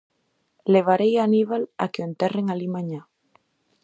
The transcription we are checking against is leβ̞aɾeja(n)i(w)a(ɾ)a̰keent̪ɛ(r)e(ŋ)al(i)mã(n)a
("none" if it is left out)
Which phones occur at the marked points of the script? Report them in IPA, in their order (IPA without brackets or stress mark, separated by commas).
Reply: n, β, l, r, ŋ, i, ɲ